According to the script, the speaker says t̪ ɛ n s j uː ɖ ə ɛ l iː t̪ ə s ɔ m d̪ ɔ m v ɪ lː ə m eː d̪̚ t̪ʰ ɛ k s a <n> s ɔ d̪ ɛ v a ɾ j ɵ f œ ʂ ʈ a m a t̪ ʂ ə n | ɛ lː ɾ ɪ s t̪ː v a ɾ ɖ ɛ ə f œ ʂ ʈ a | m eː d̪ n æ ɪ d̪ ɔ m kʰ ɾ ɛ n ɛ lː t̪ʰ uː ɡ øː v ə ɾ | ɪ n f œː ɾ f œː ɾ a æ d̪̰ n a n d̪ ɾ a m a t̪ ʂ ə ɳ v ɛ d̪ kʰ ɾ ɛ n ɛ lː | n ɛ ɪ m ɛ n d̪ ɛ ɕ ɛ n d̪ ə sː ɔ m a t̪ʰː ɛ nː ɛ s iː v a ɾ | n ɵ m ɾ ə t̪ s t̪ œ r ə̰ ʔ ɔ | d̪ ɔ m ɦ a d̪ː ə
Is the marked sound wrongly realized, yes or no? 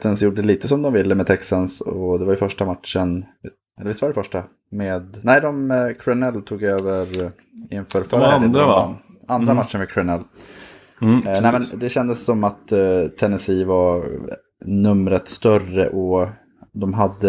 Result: no